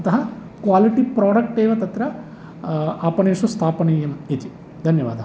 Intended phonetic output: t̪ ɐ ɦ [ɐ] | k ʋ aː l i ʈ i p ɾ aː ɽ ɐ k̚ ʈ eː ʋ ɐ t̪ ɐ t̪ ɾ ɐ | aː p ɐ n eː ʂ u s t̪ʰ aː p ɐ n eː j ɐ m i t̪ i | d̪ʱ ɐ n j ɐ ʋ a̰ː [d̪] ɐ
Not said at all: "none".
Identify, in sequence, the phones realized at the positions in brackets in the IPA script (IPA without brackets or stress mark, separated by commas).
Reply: ɐ, d̪